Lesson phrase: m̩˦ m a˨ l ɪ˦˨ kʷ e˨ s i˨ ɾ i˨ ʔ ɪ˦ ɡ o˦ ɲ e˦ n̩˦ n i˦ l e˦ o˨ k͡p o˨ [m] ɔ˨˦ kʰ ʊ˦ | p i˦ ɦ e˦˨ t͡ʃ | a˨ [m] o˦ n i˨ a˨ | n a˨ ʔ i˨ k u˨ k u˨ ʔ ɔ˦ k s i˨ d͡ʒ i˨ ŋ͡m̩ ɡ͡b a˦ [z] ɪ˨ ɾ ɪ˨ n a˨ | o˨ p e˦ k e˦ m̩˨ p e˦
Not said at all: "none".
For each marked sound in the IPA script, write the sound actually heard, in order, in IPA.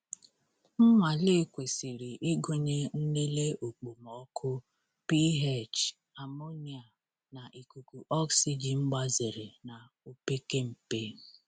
m, m, z

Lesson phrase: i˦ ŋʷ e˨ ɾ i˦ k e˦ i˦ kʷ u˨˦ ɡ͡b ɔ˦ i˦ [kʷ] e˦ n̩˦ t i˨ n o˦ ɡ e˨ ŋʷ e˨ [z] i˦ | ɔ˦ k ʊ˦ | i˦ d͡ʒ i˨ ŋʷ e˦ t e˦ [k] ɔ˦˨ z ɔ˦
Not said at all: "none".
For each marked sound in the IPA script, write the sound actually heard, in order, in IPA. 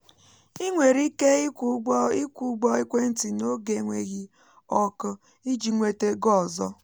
kʷ, ɣ, ɡ

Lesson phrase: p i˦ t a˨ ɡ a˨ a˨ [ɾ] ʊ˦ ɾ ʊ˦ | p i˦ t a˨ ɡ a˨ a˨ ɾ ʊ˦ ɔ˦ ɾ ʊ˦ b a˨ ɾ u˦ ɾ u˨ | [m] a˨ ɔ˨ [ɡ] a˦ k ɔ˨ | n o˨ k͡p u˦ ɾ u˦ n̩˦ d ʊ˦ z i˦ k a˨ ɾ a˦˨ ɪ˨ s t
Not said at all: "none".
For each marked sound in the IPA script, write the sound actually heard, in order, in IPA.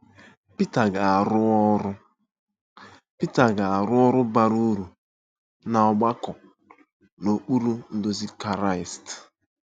ɾ, n, ɡ͡b

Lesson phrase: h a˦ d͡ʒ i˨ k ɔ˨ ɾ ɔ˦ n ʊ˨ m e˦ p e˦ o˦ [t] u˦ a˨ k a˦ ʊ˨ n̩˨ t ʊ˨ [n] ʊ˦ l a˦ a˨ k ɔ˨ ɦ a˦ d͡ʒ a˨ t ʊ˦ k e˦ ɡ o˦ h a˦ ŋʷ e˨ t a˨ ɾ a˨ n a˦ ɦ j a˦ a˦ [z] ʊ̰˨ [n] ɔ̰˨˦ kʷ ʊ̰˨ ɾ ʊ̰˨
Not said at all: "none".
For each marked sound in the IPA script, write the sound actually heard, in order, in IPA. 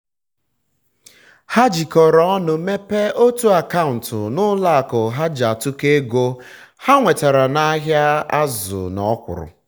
t, n, z, n

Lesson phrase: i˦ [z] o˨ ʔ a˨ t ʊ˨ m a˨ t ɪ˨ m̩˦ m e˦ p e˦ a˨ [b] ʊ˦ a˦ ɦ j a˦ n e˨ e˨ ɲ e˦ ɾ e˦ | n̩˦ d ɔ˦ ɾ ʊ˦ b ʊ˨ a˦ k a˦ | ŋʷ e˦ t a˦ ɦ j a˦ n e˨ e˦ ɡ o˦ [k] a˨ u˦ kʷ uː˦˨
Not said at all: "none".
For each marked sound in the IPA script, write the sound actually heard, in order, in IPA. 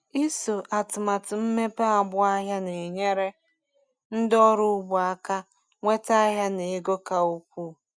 s, b, k

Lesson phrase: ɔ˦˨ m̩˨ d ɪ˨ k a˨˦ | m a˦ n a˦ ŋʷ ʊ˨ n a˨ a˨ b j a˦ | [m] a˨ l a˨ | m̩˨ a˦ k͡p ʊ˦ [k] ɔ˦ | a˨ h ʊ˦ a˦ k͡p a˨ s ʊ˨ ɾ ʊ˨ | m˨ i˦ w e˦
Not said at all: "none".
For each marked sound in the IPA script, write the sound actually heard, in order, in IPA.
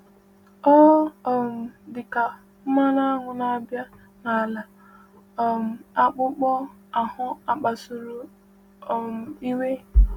n, k͡p

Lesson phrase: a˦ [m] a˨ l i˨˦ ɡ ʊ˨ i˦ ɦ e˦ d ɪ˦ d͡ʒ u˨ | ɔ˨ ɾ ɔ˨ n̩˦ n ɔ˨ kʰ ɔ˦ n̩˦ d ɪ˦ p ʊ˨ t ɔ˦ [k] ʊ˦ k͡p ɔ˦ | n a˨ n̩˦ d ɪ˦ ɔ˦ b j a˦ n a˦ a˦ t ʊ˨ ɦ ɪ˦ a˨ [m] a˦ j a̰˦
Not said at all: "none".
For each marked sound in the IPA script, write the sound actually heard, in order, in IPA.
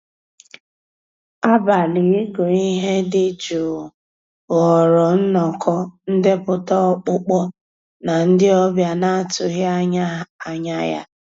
b, k͡p, ɲ

